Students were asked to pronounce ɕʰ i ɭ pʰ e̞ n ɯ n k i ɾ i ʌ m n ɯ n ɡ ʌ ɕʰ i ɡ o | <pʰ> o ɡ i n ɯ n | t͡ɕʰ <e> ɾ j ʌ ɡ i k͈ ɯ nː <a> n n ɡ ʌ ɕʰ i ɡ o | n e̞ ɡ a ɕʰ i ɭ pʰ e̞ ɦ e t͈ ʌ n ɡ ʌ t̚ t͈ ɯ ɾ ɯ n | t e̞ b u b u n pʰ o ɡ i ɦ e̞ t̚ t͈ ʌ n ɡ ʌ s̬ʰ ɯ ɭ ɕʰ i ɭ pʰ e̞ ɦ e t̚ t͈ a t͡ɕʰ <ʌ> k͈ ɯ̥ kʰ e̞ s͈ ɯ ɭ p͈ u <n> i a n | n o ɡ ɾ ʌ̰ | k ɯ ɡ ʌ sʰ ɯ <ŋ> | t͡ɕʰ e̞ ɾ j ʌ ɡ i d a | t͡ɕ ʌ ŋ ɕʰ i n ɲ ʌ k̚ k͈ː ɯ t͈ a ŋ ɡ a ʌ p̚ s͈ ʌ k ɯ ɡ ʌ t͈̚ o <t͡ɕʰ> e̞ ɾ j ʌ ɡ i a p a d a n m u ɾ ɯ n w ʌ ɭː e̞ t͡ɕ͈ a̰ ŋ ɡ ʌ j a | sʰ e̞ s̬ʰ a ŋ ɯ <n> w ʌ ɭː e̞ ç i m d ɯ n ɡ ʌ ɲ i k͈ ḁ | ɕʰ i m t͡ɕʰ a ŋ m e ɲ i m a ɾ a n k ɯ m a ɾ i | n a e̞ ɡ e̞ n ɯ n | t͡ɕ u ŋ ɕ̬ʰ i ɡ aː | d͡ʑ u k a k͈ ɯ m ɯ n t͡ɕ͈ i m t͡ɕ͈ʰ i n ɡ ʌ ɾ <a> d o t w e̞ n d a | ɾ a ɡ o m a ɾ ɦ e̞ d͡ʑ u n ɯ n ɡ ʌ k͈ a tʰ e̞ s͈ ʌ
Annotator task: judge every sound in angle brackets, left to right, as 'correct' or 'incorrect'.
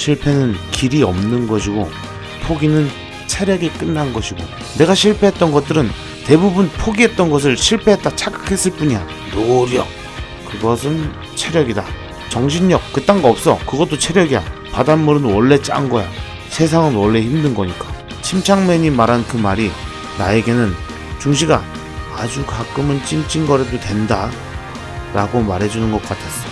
correct, correct, correct, incorrect: a, incorrect: ɲ, incorrect: n, correct, correct, incorrect: e

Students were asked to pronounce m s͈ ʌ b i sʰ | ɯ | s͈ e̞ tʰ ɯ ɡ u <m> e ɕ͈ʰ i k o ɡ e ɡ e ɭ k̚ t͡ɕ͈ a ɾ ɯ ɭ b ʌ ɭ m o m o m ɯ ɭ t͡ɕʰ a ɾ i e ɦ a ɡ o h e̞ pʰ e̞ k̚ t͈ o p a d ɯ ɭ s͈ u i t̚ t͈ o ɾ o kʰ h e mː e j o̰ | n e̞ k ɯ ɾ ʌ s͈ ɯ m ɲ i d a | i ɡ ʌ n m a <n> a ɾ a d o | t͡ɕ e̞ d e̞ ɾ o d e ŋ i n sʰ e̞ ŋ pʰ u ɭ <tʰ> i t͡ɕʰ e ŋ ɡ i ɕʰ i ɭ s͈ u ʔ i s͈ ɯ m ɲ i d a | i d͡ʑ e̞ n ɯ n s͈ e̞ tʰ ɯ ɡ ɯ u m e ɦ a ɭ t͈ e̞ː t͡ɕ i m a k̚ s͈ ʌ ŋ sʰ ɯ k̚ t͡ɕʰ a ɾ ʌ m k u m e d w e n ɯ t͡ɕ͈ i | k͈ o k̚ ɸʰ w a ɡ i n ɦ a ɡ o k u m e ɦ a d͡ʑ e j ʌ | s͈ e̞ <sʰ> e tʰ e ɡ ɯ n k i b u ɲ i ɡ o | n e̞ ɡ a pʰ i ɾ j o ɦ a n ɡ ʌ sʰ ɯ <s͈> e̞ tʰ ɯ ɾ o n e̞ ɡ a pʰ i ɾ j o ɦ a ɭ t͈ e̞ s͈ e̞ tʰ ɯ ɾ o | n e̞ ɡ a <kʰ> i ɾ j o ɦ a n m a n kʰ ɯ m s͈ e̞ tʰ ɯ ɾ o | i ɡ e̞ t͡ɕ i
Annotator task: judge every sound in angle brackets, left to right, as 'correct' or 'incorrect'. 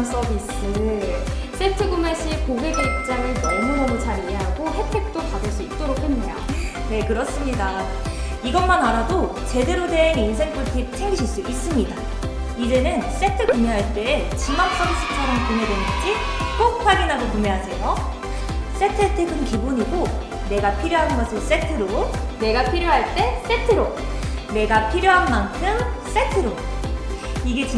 correct, correct, correct, incorrect: tʰ, correct, incorrect: pʰ

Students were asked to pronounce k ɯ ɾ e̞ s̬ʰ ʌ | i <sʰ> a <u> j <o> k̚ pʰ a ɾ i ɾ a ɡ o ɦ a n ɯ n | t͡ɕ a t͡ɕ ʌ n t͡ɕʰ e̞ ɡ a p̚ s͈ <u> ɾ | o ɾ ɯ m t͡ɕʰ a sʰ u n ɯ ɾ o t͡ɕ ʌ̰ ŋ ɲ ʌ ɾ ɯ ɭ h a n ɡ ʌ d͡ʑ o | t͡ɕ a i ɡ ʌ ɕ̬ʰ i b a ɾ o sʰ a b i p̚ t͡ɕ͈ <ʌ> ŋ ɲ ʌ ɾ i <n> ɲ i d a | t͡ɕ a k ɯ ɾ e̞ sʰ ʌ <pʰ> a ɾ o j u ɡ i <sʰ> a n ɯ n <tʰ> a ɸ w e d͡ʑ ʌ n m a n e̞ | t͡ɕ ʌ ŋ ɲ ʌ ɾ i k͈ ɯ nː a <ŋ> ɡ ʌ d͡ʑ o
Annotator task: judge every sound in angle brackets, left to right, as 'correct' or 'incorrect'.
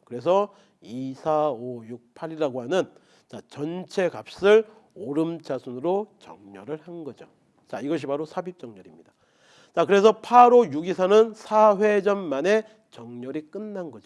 correct, incorrect: o, incorrect: u, incorrect: ɯ, correct, incorrect: m, correct, correct, incorrect: sʰ, incorrect: n

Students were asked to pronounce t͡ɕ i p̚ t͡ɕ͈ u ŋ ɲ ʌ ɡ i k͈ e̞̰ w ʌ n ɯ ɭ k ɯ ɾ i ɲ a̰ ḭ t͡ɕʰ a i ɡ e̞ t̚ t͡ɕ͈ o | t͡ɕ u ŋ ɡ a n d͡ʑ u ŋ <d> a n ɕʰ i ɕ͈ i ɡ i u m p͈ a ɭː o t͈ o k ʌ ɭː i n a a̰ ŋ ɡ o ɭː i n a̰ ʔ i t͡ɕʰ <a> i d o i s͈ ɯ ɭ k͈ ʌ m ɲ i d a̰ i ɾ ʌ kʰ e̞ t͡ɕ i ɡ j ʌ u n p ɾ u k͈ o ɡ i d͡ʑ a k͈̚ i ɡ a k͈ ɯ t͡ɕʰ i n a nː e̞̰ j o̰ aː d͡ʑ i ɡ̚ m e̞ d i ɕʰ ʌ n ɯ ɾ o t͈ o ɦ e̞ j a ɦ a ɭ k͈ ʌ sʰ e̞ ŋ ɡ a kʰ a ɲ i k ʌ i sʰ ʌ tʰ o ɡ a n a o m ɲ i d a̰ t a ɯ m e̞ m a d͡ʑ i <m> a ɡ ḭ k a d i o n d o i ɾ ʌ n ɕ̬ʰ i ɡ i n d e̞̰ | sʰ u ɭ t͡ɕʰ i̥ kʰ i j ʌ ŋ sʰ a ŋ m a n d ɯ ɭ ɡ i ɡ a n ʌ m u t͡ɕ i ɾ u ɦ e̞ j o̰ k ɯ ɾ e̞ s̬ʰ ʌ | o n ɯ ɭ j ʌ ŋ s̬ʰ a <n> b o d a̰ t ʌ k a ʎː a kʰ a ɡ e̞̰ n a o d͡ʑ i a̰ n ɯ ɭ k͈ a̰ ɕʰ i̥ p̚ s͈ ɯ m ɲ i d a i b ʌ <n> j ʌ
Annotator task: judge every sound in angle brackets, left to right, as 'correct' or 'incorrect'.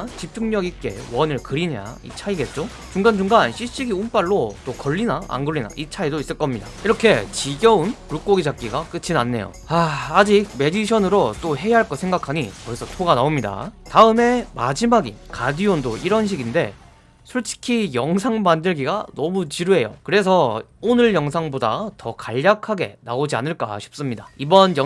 incorrect: ɡ, correct, correct, incorrect: ŋ, correct

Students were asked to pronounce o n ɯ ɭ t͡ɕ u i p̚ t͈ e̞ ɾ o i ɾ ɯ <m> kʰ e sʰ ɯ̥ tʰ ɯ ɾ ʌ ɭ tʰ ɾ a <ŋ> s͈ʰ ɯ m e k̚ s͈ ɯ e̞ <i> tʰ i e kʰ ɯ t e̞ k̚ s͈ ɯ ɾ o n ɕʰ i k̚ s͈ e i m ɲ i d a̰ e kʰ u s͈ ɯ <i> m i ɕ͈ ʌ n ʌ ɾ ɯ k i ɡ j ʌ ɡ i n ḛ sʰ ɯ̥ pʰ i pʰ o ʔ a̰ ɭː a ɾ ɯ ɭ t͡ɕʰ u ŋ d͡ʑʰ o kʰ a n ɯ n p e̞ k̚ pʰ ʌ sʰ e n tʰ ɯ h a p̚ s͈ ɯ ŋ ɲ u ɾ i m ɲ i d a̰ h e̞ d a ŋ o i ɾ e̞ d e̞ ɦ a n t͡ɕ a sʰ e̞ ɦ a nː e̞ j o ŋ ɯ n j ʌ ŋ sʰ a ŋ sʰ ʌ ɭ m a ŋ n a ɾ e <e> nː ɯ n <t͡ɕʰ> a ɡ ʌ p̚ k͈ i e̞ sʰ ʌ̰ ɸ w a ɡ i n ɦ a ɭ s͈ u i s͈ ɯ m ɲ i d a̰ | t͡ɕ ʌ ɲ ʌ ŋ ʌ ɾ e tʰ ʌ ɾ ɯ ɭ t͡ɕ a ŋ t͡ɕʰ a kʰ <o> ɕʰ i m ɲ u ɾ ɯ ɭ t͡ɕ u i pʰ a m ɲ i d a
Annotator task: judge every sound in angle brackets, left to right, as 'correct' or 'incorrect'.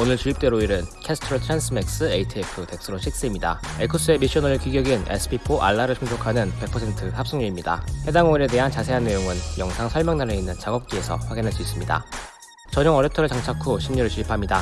incorrect: n, incorrect: n, correct, incorrect: e, incorrect: i, incorrect: t͡ɕ, correct

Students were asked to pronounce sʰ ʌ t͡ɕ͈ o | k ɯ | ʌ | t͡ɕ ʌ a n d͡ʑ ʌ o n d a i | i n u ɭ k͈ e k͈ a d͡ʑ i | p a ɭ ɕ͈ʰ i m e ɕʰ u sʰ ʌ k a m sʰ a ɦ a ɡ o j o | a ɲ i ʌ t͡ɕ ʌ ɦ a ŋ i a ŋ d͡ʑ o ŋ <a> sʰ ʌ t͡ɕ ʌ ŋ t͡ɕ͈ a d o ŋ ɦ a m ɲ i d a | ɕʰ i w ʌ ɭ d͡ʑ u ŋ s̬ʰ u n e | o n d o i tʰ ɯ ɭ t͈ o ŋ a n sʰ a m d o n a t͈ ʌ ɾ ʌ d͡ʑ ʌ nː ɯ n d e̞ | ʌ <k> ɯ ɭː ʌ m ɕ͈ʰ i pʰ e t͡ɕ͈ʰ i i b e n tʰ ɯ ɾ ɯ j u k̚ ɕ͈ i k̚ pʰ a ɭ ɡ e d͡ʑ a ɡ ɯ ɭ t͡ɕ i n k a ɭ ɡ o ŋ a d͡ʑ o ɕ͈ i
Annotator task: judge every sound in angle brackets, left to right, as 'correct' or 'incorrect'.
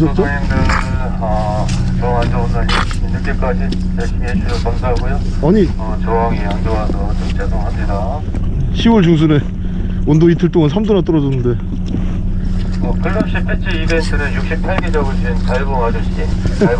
correct, correct

